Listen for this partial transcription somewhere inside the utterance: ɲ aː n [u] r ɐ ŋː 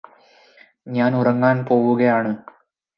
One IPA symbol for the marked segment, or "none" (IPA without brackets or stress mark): u